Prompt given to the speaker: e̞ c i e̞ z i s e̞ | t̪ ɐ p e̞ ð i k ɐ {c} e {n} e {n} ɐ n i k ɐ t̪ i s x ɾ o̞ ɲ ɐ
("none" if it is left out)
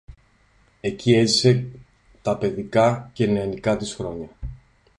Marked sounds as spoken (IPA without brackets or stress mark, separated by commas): c, n, none